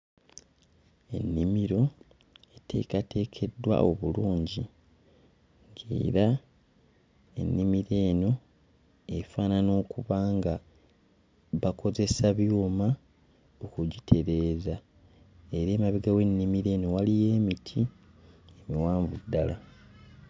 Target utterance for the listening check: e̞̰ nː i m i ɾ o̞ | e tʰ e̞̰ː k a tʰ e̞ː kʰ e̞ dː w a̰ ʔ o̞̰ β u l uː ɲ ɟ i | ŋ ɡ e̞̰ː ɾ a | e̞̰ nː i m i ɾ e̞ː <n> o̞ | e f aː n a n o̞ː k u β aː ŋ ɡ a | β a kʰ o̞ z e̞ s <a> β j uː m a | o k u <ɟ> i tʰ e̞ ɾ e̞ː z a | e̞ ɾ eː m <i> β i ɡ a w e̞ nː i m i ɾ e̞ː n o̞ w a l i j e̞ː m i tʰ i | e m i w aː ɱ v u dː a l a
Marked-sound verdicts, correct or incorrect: correct, correct, correct, incorrect: a

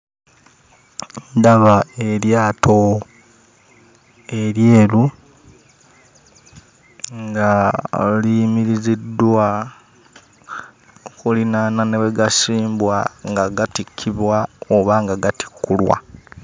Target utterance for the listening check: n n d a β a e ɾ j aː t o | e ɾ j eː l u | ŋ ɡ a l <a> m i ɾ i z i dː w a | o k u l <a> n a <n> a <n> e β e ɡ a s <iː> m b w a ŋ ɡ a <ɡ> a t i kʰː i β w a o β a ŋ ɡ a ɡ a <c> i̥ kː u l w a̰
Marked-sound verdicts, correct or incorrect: incorrect: i, incorrect: i, correct, correct, correct, correct, incorrect: t

